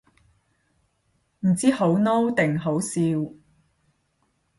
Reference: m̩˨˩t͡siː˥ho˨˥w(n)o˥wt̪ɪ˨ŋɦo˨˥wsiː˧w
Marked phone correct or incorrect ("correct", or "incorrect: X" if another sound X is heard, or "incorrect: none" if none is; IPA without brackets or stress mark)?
correct